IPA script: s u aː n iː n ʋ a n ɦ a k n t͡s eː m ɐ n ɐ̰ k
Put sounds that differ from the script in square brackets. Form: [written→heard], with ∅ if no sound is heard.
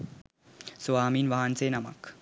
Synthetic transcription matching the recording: s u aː [n→m] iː n ʋ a [n→∅] ɦ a [k→∅] n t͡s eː [m→n] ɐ [n→m] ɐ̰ k